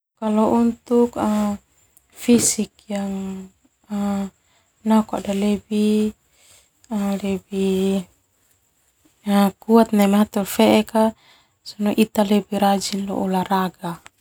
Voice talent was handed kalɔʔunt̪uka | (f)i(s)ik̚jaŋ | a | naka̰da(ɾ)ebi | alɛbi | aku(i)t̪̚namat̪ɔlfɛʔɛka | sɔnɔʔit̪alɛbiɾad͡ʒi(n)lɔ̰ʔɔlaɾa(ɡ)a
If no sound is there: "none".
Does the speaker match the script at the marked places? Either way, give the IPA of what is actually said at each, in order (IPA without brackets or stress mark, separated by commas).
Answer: f, s, l, a, n, ɡ